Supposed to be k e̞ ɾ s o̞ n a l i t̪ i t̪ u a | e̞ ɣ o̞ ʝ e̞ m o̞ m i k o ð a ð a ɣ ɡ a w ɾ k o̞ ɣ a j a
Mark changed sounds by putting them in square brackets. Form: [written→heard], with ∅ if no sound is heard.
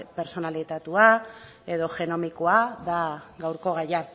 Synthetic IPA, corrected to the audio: [k→p] e̞ ɾ s o̞ n a l i t̪ [i→a] t̪ u a | e̞ [ɣ→ð] o̞ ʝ e̞ [m→n] o̞ m i k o [ð→∅] a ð a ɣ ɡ a w ɾ k o̞ ɣ a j a